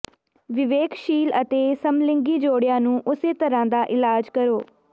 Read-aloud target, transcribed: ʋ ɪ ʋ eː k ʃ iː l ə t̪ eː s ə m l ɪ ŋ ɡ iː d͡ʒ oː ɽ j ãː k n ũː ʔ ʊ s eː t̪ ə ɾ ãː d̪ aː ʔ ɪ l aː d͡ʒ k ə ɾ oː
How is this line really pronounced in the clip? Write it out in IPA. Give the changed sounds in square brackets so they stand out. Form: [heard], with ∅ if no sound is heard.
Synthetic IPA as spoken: ʋ ɪ ʋ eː k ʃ iː l ə t̪ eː s ə m l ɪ ŋ ɡ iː d͡ʒ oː ɽ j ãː [∅] n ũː ʔ ʊ s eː t̪ ə ɾ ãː d̪ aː ʔ ɪ l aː d͡ʒ k ə ɾ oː